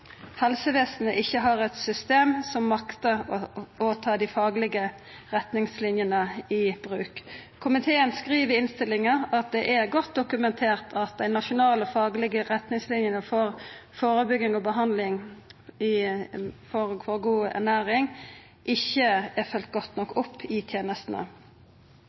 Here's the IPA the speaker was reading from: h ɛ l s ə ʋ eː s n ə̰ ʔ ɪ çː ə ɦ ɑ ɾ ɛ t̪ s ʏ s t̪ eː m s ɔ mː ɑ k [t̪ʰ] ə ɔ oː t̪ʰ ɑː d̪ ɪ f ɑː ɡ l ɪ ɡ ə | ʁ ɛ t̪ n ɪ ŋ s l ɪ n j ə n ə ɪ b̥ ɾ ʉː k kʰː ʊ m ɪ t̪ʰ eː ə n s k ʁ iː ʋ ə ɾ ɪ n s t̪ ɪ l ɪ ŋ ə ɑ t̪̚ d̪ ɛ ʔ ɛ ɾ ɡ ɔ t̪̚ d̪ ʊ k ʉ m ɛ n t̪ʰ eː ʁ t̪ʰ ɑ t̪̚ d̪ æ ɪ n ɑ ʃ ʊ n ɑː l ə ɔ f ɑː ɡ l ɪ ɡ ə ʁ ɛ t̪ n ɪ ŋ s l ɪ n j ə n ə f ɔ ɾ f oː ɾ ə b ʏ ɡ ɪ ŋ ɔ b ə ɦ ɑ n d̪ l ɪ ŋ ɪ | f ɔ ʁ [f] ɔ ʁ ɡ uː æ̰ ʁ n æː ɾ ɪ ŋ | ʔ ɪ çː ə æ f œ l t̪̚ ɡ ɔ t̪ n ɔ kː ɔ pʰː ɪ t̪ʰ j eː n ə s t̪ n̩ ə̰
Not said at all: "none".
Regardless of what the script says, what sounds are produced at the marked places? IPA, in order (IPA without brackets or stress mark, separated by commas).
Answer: t̪, f